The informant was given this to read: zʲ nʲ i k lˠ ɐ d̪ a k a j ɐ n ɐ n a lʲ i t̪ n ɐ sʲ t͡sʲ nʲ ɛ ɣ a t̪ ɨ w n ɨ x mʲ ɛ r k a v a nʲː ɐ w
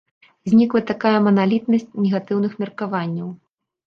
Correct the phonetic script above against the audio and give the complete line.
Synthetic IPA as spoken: zʲ nʲ i k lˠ ɐ t̪ a k a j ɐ m ɐ n a lʲ i t̪ n ɐ sʲ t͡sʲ nʲ ɛ ɣ a t̪ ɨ w n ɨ x mʲ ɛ r k a v a nʲː ɐ w

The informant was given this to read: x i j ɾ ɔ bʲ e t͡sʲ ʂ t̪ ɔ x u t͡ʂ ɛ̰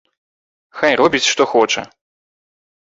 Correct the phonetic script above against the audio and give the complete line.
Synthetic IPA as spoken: x a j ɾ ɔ bʲ i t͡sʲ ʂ t̪ ɔ x ɔ t͡ʂ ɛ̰

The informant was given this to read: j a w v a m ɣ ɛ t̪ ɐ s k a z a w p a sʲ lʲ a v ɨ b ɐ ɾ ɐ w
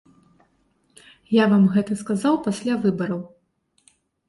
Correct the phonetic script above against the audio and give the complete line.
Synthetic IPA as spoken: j a v a m ɣ ɛ t̪ ɐ s k a z a w p a sʲ lʲ a v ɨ b ɐ ɾ ɐ w

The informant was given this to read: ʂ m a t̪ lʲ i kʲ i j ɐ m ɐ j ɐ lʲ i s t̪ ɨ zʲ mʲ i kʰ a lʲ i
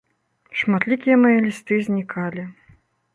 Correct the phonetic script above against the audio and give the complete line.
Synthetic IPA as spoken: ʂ m a t̪ lʲ i kʲ i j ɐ m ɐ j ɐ lʲ i s t̪ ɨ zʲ nʲ i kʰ a lʲ i

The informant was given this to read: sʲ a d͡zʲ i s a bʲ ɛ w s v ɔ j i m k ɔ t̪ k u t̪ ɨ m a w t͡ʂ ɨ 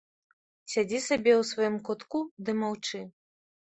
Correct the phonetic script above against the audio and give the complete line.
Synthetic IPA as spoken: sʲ a d͡zʲ i s a bʲ ɛ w s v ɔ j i m k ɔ t̪ k u d̪ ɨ m a w t͡ʂ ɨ

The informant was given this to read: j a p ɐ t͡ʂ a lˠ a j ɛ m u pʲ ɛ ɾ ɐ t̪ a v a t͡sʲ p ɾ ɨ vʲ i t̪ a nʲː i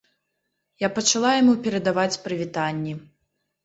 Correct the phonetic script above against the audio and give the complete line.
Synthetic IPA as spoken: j a p ɐ t͡ʂ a lˠ a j a m u pʲ ɛ ɾ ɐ d̪ a v a t͡sʲ p ɾ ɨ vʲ i t̪ a nʲː i

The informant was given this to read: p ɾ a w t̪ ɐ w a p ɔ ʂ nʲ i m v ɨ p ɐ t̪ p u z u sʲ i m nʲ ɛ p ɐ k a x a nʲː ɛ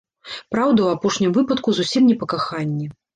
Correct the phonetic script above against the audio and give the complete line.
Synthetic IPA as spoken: p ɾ a w d̪ ɐ w a p ɔ ʂ nʲ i m v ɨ p ɐ t̪ k u z u sʲ i m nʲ ɛ p ɐ k a x a nʲː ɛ

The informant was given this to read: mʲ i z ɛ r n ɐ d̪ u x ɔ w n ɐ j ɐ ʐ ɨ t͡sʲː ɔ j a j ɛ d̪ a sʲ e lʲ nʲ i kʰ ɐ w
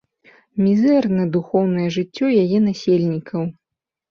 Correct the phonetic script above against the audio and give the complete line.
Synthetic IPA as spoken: mʲ i z ɛ r n ɐ d̪ u x ɔ w n ɐ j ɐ ʐ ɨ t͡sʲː ɔ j a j ɛ n̪ a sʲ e lʲ nʲ i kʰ ɐ w

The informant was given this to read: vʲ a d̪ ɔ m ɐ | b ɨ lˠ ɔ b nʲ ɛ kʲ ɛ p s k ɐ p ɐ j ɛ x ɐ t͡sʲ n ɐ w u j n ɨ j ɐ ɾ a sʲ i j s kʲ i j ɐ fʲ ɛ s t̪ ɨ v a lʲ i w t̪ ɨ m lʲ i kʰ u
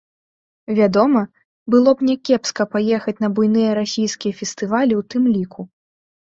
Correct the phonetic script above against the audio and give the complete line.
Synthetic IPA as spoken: vʲ a d̪ ɔ m ɐ | b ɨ lˠ ɔ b nʲ ɛ kʲ ɛ p s k ɐ p a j ɛ x ɐ t͡sʲ n ɐ b u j n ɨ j ɐ ɾ a sʲ i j s kʲ i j ɐ fʲ ɛ s t̪ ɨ v a lʲ i w t̪ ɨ m lʲ i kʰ u

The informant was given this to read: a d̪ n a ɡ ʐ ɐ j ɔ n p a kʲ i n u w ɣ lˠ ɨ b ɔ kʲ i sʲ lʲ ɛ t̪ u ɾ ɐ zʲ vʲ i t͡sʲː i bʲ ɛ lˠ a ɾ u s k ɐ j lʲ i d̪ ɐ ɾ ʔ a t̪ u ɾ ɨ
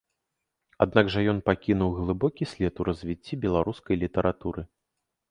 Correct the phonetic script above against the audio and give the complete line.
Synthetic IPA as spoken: a d̪ n a ɡ ʐ ɐ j ɔ n p a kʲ i n u w ɣ lˠ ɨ b ɔ kʲ i sʲ lʲ ɛ t̪ u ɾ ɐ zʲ vʲ i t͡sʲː i bʲ ɛ lˠ a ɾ u s k ɐ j lʲ i t̪ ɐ ɾ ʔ a t̪ u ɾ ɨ

